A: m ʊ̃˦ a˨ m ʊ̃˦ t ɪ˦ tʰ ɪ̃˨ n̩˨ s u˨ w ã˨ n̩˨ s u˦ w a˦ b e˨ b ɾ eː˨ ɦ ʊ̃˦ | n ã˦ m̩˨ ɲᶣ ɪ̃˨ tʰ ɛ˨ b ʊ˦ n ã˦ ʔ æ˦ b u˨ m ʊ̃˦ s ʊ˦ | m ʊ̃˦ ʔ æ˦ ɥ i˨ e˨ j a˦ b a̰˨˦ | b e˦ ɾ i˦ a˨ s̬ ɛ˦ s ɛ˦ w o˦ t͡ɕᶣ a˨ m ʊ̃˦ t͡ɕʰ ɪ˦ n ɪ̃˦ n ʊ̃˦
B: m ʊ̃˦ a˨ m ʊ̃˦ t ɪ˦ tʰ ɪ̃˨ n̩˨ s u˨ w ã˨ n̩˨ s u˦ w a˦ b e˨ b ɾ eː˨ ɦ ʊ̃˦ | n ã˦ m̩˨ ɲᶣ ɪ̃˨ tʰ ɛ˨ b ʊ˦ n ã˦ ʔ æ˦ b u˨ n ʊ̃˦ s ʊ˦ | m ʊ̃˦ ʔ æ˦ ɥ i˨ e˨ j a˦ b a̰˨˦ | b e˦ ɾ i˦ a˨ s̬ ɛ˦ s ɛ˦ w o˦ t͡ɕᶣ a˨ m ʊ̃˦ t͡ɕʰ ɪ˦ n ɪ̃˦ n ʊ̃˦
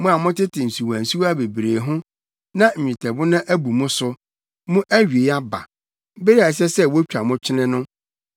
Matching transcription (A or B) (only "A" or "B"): A